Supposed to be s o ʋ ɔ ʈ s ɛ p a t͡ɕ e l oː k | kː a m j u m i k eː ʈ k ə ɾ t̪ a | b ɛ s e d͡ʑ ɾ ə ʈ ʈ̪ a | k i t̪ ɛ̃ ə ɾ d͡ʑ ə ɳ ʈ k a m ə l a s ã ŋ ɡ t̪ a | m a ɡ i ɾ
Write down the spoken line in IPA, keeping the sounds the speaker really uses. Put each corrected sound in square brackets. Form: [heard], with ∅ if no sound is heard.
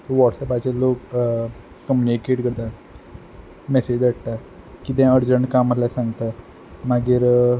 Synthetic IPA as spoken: s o ʋ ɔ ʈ s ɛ p a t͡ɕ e l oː k | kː [ə] m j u [n] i k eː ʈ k ə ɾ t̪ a | [m] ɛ s e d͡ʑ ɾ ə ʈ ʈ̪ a | k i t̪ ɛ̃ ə ɾ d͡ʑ ə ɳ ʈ k a m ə l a s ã ŋ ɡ t̪ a | m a ɡ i ɾ

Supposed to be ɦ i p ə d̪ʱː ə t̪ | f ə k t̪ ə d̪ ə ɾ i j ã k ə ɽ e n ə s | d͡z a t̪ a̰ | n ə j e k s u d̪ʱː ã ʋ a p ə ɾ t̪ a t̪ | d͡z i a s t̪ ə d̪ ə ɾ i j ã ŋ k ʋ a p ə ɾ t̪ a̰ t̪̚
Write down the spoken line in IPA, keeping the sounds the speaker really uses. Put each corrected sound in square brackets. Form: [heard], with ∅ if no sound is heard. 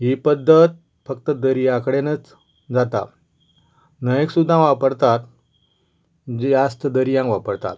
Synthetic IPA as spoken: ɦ i p ə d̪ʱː ə t̪ | f ə k t̪ ə d̪ ə ɾ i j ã k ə ɽ e n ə [t͡s] | d͡z a t̪ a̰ | n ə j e k s u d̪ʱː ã ʋ a p ə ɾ t̪ a t̪ | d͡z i a s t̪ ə d̪ ə ɾ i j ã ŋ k ʋ a p ə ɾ t̪ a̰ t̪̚

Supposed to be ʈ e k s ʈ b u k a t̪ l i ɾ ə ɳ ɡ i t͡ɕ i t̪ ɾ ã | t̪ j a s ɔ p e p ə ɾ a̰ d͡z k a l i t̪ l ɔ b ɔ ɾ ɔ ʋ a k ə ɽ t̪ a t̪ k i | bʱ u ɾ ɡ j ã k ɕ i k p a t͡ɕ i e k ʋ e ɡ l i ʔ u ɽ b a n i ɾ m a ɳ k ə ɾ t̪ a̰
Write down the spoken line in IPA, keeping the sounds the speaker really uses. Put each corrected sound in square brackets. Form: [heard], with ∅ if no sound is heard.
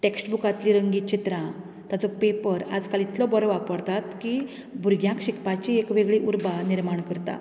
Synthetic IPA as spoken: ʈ e k s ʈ b u k a t̪ l i ɾ ə [ŋ] ɡ i t͡ɕ i t̪ ɾ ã | t̪ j a [t͡s] ɔ p e p ə ɾ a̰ d͡z k a l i t̪ l ɔ b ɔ ɾ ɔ ʋ a [p] ə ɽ t̪ a t̪ k i | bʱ u ɾ ɡ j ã k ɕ i k p a t͡ɕ i e k ʋ e ɡ [ɭ] i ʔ u [ɾ] b a n i ɾ m a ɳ k ə ɾ t̪ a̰

